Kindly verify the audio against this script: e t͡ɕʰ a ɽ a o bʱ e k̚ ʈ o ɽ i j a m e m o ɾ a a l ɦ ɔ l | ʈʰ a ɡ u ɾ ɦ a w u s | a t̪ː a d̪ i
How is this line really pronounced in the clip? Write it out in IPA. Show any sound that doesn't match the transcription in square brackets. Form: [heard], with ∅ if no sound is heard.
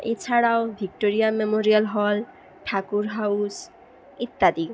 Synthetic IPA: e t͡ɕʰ a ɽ a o bʱ [i] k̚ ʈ o [ɾ] i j a m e m o ɾ [i] a l ɦ ɔ l | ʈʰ a [k] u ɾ ɦ a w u s | [i] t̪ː a d̪ i